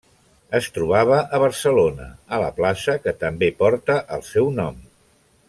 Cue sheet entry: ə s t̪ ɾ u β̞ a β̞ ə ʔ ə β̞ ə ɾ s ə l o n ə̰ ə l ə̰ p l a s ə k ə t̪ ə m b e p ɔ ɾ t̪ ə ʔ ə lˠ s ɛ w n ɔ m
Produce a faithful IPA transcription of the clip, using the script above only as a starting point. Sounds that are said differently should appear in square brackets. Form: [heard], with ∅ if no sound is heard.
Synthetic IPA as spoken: ə s t̪ ɾ u β̞ a β̞ ə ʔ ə β̞ ə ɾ s ə l o n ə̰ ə l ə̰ p l a s ə k ə t̪ ə m b e p ɔ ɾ t̪ ə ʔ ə lˠ s ɛ w n ɔ m